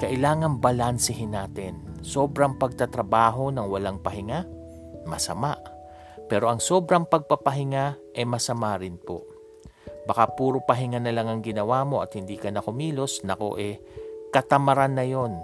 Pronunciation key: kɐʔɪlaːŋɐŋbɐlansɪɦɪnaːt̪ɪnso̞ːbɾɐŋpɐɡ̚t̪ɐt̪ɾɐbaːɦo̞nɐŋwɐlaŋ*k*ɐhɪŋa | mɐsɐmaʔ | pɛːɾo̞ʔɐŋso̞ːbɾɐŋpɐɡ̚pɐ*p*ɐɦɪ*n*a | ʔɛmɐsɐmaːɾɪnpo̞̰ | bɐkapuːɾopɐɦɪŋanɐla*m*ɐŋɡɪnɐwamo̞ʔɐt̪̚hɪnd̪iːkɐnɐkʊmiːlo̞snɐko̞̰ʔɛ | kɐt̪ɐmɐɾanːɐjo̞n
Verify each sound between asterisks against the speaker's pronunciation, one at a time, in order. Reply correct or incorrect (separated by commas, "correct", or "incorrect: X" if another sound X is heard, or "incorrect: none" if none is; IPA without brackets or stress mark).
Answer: incorrect: p, correct, incorrect: ŋ, incorrect: ŋ